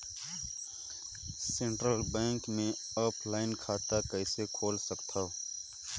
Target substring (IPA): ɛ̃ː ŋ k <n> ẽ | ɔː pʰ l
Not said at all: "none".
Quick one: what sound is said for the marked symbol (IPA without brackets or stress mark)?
m